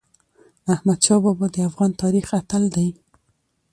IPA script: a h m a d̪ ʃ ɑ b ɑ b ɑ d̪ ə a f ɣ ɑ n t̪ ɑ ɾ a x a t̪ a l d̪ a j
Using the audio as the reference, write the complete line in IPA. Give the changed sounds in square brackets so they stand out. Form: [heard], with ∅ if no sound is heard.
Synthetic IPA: a h m a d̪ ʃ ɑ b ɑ b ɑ d̪ ə a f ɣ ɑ n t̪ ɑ ɾ [i] x a t̪ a l d̪ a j